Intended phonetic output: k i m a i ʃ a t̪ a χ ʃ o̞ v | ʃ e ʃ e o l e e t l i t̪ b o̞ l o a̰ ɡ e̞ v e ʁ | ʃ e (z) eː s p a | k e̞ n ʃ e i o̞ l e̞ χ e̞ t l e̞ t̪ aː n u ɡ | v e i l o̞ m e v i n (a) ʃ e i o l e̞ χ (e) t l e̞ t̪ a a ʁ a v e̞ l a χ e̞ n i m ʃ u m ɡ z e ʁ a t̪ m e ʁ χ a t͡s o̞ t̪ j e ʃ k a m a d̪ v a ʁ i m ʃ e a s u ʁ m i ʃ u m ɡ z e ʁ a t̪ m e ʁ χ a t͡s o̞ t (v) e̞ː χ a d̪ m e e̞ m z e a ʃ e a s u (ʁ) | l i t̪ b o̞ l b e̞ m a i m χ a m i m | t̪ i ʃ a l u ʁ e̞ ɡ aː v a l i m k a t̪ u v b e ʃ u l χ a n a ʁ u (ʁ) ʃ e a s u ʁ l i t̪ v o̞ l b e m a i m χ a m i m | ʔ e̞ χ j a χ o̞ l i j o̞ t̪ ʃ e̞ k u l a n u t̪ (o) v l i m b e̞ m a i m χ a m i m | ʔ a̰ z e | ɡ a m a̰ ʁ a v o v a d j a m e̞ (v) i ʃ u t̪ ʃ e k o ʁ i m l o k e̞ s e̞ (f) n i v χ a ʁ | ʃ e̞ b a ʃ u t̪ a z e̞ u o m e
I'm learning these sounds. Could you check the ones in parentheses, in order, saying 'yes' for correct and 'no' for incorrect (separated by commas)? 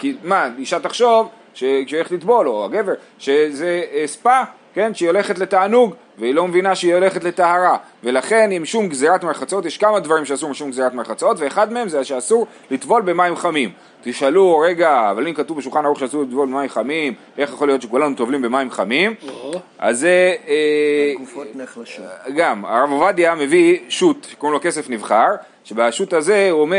yes, yes, yes, yes, yes, no, yes, yes, yes